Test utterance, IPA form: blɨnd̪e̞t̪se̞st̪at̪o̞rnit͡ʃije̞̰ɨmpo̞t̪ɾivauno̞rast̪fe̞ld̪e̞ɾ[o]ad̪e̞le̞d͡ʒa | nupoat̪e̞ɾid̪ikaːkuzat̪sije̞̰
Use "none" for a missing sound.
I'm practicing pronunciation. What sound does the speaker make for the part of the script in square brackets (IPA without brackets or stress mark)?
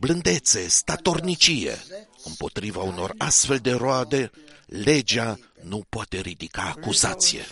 o